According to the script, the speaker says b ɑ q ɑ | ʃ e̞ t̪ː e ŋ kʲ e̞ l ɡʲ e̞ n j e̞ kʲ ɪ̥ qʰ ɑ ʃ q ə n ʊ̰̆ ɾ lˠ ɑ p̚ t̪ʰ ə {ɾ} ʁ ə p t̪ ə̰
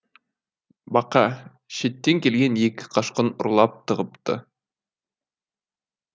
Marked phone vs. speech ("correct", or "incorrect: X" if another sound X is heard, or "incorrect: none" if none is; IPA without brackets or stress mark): incorrect: none